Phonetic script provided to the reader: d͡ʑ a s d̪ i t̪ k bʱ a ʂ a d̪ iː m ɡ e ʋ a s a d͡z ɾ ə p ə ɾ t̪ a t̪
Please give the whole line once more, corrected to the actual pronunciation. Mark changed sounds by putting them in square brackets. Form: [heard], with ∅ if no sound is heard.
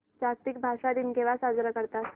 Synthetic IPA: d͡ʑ a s [t̪] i [∅] k bʱ a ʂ a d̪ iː [n] ɡ e ʋ a s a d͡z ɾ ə [k] ə ɾ t̪ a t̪